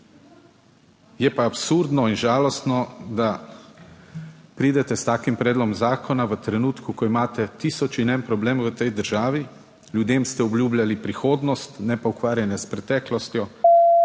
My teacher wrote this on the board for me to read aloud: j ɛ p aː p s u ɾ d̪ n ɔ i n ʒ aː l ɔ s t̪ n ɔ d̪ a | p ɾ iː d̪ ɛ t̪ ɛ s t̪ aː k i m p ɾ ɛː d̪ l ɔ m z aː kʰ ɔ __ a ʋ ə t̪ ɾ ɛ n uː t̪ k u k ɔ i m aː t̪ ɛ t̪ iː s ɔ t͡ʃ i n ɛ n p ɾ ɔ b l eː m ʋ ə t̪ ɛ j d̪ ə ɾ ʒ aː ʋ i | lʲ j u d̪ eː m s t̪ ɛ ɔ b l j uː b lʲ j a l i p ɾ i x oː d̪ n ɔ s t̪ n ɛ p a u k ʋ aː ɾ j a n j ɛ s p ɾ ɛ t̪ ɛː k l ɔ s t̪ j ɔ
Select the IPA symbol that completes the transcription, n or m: n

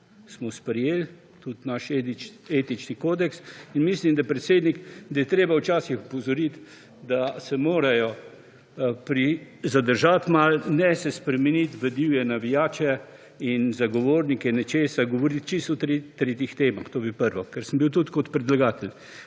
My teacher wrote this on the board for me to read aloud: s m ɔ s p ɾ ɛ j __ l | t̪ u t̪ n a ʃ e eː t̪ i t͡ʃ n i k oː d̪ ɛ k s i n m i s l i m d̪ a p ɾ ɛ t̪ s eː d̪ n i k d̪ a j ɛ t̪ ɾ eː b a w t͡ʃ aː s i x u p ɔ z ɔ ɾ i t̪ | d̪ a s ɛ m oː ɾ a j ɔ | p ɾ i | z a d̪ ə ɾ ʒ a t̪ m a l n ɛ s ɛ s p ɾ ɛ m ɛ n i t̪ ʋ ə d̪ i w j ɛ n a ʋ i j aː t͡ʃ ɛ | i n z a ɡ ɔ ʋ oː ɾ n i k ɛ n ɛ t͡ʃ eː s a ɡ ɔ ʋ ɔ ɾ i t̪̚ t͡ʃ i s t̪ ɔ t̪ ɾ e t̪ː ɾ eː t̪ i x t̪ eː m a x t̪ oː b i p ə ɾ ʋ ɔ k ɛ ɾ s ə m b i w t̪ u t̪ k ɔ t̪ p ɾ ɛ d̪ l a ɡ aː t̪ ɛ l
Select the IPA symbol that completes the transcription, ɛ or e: e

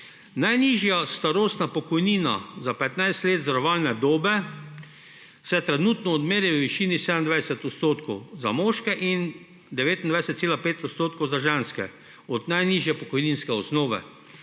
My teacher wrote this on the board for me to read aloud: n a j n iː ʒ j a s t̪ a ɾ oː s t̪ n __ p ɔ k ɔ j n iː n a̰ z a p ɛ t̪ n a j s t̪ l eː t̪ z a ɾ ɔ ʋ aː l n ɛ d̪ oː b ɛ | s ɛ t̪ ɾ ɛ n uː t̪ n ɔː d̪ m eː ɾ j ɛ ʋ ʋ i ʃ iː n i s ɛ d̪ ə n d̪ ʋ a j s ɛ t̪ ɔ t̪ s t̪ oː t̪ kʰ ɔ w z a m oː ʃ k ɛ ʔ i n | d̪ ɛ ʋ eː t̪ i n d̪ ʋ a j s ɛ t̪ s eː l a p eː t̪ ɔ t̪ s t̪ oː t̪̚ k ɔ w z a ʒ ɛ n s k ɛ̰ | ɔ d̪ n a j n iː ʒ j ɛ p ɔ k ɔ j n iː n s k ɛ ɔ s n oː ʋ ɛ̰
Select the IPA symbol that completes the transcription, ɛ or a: a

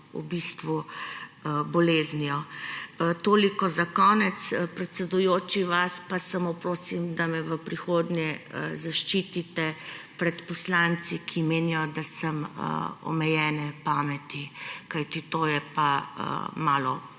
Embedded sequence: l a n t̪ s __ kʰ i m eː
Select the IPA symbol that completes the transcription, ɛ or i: i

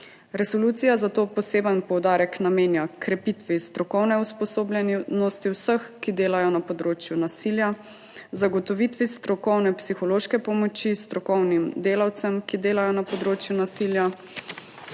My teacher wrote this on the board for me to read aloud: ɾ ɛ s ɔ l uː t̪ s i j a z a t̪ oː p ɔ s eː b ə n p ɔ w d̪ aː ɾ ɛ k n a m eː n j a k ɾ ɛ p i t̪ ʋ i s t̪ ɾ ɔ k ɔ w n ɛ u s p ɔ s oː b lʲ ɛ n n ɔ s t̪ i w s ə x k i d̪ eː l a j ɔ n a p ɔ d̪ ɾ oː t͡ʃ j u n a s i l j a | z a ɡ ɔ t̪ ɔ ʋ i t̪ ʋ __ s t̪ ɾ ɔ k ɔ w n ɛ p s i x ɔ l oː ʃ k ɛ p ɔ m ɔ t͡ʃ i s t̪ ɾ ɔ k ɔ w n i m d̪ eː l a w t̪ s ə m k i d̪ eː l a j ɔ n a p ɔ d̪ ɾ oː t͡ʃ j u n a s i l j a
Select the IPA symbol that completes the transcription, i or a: i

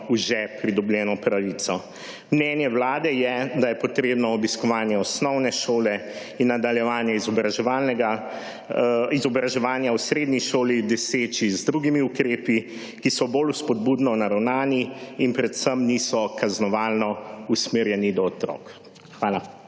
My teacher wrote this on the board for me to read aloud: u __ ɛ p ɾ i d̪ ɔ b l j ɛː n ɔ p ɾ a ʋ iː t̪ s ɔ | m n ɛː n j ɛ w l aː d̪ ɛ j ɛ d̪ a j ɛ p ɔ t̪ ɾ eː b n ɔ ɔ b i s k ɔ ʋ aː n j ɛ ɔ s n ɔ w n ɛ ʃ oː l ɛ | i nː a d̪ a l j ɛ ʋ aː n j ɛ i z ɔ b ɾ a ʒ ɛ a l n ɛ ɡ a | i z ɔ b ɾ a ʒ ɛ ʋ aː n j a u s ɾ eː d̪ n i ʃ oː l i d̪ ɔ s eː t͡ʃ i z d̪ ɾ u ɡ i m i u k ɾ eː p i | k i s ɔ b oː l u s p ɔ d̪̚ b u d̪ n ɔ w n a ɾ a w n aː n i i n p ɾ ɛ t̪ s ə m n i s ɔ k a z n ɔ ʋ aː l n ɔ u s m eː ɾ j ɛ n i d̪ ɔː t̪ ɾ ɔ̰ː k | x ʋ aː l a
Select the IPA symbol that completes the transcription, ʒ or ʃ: ʒ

